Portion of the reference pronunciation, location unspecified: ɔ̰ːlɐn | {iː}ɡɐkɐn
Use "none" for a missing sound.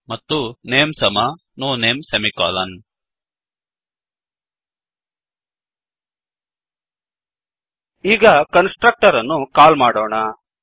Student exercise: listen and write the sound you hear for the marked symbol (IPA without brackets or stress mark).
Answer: iː